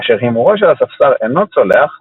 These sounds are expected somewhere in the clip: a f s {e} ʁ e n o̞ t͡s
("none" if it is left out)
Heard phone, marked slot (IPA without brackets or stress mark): a